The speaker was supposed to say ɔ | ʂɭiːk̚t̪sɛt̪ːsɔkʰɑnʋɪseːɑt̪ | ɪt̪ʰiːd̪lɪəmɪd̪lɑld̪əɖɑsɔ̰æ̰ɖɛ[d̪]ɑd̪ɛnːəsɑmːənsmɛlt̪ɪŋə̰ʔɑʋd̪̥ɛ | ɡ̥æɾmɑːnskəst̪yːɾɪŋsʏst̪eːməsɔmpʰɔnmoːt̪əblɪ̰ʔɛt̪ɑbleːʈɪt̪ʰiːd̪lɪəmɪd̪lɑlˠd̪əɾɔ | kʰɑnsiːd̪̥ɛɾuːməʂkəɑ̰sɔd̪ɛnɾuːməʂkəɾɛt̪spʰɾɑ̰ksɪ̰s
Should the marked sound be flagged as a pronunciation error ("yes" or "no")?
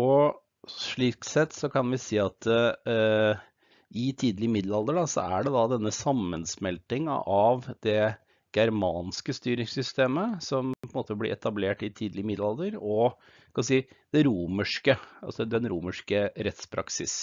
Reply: no